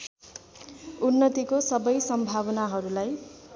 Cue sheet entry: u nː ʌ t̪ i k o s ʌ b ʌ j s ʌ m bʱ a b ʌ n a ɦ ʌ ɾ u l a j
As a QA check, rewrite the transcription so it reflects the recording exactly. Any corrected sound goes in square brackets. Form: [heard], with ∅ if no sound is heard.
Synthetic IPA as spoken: u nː ʌ t̪ i k o s ʌ b ʌ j s ʌ m bʱ a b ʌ n a ɦ ʌ ɾ u l a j